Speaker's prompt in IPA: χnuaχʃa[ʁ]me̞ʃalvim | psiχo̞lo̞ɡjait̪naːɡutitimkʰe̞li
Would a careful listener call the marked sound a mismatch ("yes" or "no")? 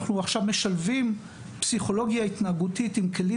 yes